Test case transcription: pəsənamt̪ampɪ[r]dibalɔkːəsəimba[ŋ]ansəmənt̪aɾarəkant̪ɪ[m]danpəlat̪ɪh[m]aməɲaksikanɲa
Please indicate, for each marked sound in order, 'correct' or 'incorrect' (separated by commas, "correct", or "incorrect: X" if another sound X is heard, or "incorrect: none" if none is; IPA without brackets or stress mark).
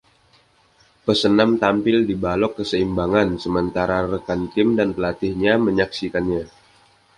incorrect: l, correct, correct, incorrect: ɲ